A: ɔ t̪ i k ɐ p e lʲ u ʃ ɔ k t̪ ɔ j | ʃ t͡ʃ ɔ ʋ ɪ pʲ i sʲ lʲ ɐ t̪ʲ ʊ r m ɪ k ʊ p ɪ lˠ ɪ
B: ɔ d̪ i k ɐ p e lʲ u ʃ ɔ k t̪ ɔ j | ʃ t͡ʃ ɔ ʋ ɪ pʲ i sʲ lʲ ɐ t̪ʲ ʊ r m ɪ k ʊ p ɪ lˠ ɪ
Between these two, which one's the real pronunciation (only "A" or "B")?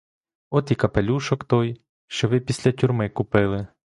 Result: A